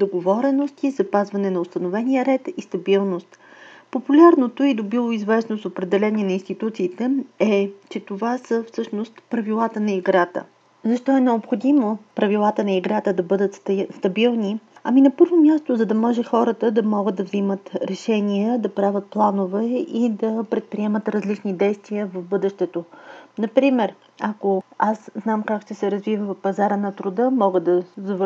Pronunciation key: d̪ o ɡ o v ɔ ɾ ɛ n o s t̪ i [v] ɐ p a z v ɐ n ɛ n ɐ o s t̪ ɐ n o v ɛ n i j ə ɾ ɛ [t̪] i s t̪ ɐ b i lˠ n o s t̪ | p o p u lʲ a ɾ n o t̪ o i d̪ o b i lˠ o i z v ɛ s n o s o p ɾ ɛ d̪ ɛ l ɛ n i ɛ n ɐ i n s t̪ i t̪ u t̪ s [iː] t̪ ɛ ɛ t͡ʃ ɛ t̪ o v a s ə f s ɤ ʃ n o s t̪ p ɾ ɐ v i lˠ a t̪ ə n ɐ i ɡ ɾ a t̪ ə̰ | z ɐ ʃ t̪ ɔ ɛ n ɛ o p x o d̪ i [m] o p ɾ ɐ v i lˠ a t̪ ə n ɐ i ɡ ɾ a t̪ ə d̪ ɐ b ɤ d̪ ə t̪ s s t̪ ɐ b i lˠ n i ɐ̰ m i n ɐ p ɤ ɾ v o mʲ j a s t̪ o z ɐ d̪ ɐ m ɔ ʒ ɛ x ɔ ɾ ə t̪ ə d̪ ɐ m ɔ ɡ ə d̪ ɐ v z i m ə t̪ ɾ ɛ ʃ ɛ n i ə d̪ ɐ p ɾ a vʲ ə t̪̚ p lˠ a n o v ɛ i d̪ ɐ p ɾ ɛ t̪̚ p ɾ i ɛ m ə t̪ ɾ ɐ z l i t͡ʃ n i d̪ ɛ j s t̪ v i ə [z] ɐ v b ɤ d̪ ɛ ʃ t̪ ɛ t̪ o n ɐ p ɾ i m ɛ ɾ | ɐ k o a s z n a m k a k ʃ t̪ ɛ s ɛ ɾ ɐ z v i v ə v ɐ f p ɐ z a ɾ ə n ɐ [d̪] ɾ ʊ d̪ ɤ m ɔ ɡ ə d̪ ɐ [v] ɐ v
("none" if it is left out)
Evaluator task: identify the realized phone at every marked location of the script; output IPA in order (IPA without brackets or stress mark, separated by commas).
z, t̪, iː, m, v, t̪, z